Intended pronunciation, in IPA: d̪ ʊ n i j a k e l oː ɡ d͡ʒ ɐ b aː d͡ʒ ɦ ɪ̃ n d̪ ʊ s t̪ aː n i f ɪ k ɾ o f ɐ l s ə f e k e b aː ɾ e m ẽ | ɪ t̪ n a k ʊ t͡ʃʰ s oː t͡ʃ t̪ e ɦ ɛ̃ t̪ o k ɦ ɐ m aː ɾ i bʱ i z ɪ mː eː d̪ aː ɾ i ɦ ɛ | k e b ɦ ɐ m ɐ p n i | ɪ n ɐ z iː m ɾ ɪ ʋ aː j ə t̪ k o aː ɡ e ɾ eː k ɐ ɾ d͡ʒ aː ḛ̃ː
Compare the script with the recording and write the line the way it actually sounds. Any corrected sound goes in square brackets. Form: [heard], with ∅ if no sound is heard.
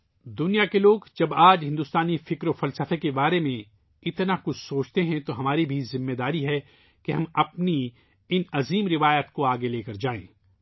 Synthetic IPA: d̪ ʊ n i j a k e l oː ɡ d͡ʒ ɐ b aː d͡ʒ ɦ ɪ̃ n d̪ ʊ s t̪ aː n i f ɪ k ɾ o f ɐ l s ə f e k e b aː ɾ e m ẽ | ɪ t̪ n a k ʊ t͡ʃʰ s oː t͡ʃ t̪ e ɦ ɛ̃ t̪ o [∅] ɦ ɐ m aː ɾ i bʱ i z ɪ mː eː d̪ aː ɾ i ɦ ɛ | k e [∅] ɦ ɐ m ɐ p n i | ɪ n ɐ z iː m ɾ ɪ ʋ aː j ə t̪ k o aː ɡ e [l] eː k ɐ ɾ d͡ʒ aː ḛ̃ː